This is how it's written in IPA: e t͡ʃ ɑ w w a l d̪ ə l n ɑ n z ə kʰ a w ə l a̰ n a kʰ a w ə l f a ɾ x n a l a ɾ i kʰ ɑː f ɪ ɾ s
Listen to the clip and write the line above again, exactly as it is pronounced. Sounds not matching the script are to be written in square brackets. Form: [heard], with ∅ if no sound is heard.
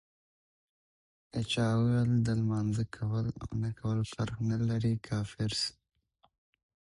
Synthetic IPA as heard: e t͡ʃ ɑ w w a l d̪ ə l [m] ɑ n z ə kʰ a w ə l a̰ n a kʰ a w ə l f a ɾ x n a l a ɾ i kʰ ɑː f ɪ ɾ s